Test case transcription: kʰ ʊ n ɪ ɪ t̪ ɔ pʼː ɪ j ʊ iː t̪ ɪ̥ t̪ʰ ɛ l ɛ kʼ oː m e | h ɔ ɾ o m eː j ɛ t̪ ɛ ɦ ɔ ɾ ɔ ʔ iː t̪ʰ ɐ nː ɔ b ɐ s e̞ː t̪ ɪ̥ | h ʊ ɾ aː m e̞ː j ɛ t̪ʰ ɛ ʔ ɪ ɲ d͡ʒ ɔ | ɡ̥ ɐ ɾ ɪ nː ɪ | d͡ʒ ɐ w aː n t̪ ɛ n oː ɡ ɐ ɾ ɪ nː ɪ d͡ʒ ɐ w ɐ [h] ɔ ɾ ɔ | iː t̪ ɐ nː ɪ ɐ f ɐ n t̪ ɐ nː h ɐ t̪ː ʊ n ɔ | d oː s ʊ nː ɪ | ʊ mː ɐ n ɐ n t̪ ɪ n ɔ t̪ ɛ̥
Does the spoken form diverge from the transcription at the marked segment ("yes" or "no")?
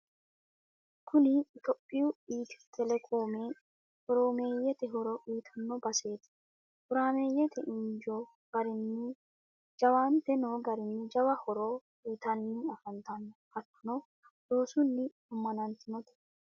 no